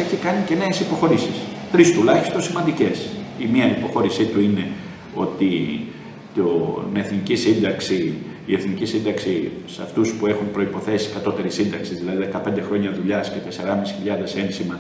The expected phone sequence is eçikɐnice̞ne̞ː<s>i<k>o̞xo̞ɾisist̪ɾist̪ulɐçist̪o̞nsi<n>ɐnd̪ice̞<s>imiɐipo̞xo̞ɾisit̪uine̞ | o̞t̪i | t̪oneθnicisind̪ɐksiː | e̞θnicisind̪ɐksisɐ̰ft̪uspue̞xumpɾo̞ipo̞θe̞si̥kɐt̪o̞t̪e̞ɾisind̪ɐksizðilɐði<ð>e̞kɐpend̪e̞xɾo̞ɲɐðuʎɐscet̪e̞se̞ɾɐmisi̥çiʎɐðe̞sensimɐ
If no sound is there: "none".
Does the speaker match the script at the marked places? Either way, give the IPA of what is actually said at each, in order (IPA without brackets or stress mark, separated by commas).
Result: s, p, m, s, ð